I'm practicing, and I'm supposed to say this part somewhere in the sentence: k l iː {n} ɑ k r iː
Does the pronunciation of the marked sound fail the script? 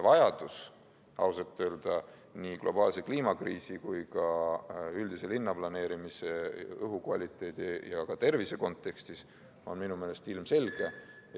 yes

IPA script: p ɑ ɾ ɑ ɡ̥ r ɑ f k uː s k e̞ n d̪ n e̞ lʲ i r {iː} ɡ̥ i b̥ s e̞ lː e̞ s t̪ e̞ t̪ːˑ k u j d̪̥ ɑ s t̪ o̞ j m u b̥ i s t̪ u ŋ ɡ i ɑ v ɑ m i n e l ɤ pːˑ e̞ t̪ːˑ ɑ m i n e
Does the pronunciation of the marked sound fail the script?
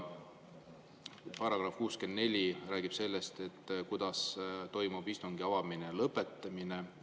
yes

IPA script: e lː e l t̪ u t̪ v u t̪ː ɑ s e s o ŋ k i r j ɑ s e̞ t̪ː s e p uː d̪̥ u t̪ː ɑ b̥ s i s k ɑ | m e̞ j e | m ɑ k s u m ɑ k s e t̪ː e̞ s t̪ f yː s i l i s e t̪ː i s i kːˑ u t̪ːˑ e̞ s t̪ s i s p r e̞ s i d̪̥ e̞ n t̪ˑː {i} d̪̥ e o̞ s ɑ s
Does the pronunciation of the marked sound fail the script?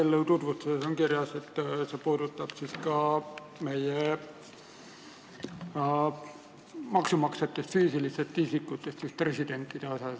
no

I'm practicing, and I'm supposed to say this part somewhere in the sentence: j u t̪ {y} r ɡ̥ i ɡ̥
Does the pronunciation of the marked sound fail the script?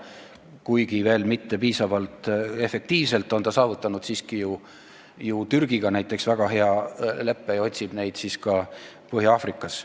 no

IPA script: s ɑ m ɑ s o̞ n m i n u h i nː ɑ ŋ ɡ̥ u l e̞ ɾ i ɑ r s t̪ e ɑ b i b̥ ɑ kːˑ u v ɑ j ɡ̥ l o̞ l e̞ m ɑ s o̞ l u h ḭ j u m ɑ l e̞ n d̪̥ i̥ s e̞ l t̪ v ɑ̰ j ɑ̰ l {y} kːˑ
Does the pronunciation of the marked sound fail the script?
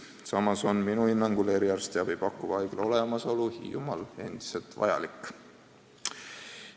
yes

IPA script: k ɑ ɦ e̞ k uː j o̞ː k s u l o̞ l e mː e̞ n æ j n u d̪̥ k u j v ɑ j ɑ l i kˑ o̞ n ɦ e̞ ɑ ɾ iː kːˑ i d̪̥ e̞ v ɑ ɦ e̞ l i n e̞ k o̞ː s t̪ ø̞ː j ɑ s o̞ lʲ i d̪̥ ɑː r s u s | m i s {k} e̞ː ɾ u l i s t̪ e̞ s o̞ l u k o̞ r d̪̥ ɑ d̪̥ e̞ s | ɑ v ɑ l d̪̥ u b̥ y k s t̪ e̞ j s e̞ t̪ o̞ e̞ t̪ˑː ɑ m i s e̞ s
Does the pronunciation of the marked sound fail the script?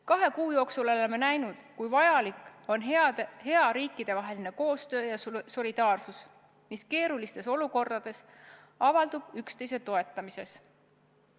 no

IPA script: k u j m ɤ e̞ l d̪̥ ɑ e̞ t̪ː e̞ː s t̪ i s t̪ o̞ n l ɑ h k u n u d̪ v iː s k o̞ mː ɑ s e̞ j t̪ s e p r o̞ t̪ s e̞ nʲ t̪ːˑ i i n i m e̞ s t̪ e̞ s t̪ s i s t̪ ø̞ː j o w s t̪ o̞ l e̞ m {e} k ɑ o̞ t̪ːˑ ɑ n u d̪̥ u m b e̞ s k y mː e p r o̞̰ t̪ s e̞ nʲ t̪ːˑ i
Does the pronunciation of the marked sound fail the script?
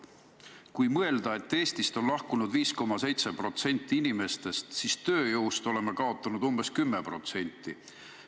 no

